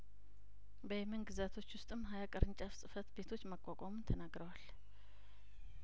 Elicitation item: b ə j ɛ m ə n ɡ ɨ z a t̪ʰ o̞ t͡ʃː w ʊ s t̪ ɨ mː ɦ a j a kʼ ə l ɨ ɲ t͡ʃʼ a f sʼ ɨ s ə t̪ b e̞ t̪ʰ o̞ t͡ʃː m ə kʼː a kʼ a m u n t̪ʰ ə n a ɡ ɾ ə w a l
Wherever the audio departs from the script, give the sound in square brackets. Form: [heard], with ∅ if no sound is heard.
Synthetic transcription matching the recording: b ə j ɛ m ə n ɡ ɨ z a t̪ʰ o̞ t͡ʃː w ʊ s [t̪ʼ] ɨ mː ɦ a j a kʼ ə [ɾ] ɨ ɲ t͡ʃʼ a f sʼ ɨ [f] ə t̪ b e̞ t̪ʰ o̞ t͡ʃː m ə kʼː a kʼ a m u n t̪ʰ ə n a ɡ ɾ ə w a l